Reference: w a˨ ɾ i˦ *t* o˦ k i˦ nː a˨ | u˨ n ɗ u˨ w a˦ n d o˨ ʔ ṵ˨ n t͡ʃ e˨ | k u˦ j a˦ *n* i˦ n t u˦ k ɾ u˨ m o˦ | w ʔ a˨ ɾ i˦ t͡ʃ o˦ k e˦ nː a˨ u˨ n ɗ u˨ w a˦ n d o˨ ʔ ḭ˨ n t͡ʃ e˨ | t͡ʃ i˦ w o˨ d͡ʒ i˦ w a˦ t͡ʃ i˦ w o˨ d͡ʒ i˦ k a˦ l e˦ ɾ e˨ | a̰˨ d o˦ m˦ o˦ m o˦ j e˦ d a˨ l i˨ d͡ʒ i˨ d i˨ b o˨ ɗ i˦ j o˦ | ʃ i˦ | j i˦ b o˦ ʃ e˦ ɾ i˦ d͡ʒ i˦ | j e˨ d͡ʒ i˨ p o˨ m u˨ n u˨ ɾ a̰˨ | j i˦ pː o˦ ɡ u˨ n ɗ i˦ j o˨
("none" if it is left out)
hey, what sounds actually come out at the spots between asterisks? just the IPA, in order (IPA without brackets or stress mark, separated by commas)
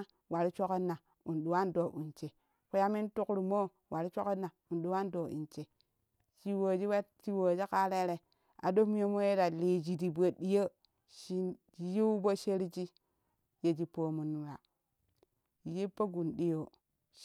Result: t͡ʃ, m